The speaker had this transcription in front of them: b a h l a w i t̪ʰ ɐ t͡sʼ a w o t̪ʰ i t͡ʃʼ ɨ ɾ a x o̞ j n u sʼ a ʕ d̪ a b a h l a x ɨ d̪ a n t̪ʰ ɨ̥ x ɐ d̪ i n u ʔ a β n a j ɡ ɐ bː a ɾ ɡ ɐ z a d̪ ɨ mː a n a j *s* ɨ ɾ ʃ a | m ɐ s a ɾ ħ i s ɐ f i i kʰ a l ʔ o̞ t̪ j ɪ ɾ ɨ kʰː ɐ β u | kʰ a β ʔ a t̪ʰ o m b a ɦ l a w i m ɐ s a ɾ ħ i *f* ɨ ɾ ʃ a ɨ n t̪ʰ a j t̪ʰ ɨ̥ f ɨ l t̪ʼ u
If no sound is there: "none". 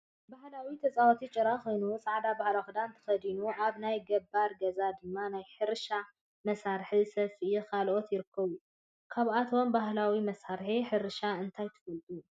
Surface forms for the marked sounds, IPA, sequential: ħ, ħ

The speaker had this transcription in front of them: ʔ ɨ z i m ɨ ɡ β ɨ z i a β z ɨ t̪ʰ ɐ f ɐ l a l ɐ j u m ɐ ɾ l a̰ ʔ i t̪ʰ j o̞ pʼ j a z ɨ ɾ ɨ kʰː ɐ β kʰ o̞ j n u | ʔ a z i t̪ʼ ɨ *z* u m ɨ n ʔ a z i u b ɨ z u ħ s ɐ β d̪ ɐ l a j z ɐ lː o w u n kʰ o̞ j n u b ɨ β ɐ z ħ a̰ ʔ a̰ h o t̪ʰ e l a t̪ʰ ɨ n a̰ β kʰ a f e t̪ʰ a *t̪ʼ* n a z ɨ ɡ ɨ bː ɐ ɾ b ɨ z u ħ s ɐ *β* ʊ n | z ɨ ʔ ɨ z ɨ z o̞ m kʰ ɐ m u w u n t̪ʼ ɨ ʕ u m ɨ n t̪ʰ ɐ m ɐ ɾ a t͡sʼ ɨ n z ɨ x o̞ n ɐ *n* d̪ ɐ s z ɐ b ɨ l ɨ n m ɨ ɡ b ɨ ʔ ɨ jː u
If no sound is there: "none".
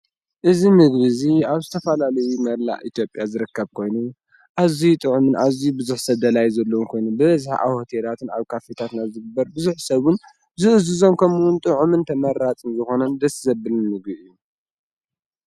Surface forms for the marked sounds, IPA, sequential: ʕ, t̪, β, n

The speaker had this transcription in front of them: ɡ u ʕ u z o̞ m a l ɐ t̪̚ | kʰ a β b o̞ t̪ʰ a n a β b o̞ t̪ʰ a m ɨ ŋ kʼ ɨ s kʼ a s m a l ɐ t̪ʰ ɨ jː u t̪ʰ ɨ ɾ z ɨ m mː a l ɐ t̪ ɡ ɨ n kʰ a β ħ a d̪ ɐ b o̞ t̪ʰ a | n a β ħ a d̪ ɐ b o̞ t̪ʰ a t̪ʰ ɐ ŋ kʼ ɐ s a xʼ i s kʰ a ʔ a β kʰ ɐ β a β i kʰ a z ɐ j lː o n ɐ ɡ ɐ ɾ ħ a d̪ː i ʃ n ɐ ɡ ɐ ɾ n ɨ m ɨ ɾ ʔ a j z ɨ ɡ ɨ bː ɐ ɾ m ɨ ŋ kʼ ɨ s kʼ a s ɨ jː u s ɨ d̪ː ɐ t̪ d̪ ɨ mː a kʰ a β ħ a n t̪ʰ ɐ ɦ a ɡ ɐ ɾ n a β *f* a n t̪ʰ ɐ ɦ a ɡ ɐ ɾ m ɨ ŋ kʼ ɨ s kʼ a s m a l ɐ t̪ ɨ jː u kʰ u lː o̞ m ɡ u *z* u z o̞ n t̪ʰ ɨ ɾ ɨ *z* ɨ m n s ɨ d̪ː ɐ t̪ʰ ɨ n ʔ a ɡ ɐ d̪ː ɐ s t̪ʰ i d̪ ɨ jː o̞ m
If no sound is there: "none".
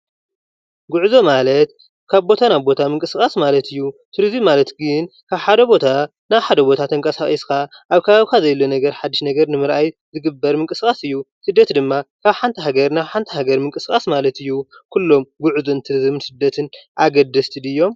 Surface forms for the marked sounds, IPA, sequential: ħ, ʕ, z

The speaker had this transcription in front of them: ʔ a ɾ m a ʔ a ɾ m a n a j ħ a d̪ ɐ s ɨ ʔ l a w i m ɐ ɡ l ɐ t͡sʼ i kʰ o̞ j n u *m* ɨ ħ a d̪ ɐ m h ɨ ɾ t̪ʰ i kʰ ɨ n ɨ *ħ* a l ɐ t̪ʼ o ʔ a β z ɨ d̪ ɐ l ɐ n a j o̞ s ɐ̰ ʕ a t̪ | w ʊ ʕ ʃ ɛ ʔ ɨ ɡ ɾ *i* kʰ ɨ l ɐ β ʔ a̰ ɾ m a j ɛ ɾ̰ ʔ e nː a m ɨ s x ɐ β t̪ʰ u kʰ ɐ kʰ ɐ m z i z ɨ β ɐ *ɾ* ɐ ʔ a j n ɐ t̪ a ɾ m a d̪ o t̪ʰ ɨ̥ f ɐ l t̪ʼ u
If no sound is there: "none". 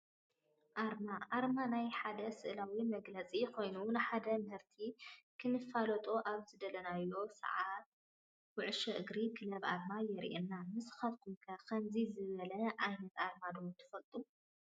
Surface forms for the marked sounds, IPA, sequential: n, f, i, l

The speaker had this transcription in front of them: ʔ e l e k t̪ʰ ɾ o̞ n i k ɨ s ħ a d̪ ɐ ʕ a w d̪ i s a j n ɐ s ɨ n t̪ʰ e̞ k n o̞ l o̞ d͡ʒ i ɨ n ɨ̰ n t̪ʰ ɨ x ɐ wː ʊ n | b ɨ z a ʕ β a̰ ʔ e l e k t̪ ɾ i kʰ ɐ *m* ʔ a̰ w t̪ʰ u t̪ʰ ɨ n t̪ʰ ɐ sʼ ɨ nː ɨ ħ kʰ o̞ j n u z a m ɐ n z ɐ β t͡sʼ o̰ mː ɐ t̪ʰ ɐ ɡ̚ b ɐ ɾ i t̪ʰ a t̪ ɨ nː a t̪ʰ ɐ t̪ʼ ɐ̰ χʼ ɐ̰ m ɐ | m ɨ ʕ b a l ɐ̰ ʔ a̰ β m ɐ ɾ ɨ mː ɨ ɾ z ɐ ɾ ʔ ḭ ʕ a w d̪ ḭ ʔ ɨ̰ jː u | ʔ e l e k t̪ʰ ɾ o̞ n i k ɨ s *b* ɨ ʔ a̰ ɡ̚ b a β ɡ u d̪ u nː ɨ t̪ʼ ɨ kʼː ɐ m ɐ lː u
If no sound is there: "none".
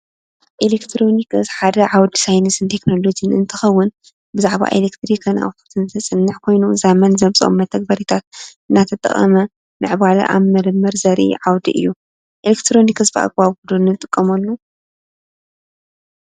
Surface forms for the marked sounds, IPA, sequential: n, b

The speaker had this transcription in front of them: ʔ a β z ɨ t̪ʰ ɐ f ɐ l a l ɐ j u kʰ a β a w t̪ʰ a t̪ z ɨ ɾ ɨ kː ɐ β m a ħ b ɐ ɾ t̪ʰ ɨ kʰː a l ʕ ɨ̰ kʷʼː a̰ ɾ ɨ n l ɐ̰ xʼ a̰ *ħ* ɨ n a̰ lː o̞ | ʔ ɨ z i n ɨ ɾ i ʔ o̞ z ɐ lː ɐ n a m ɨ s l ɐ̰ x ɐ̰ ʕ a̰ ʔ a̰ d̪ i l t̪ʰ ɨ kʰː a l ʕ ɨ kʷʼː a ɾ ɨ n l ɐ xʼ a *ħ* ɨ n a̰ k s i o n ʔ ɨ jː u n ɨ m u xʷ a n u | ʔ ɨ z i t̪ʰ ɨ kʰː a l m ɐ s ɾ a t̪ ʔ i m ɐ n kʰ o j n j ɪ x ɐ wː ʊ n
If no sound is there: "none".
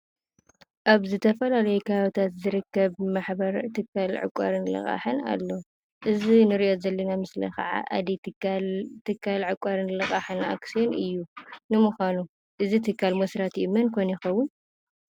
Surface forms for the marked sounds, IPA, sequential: ħ, ħ

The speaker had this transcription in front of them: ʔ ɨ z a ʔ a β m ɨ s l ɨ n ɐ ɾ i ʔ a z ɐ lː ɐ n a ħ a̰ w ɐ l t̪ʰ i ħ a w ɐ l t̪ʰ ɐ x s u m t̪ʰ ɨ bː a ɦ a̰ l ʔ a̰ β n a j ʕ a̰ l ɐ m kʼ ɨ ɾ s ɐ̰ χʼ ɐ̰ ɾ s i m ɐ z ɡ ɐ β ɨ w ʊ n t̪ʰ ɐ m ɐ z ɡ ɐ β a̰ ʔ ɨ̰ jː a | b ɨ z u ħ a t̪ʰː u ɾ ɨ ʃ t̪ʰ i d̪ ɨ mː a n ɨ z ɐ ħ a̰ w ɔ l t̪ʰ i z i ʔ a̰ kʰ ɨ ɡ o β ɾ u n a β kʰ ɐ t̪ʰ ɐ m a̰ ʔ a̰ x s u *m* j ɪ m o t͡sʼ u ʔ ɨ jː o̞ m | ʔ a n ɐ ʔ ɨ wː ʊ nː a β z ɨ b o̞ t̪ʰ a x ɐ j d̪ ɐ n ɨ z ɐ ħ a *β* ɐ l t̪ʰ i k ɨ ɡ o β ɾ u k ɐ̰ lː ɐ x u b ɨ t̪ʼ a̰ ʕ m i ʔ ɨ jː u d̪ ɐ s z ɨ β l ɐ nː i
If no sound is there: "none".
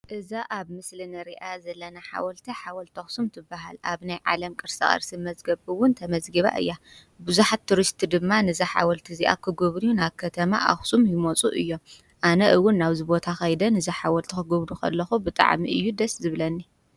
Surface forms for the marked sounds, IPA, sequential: m, w

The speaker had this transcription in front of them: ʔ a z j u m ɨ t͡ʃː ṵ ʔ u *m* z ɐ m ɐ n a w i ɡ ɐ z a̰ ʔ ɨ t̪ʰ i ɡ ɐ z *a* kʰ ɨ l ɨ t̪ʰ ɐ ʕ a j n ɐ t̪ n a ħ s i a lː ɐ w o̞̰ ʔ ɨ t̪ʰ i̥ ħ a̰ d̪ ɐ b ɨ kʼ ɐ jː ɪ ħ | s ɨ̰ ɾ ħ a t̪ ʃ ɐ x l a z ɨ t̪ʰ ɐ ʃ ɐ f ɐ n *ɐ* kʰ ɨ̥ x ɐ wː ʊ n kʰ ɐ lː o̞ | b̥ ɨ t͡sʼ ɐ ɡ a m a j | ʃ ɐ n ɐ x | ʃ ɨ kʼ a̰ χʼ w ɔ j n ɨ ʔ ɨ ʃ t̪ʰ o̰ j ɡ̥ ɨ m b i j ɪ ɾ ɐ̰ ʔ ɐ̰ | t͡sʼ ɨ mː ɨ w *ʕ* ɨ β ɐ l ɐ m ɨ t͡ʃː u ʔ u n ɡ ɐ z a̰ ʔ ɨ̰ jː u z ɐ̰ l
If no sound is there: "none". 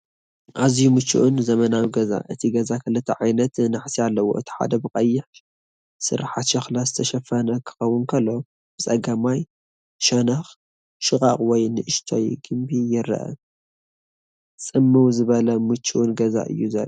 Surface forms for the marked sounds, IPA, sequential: n, a, ɐ, z

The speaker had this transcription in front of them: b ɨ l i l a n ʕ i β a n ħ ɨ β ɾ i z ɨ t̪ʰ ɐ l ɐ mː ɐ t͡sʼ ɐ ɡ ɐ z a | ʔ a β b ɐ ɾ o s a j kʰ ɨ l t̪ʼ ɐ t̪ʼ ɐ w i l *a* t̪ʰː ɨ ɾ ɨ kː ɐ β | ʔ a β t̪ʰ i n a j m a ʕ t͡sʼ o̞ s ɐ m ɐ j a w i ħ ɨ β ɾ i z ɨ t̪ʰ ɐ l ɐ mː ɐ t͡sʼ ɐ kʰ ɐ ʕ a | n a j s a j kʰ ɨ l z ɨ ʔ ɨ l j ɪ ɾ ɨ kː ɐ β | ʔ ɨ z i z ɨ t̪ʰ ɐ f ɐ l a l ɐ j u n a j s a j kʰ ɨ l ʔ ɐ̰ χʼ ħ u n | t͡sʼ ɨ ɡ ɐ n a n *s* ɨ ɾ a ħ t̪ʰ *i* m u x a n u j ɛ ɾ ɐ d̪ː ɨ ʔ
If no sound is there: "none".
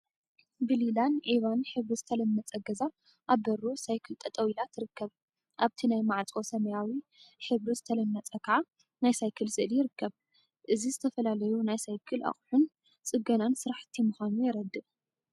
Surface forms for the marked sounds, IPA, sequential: a, s, i

